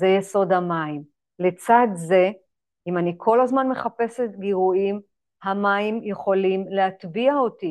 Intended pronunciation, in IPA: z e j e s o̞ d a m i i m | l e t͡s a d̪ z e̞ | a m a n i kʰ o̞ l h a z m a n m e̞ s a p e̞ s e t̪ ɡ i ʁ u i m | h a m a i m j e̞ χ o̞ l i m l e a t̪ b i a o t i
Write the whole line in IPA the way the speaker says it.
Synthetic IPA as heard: z e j e s o̞ d a m a i m | l e t͡s a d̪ z e̞ | i m a n i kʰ o̞ l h a z m a n m e̞ χ a p e̞ s e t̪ ɡ i ʁ u i m | h a m a i m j e̞ χ o̞ l i m l e a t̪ b i a o t i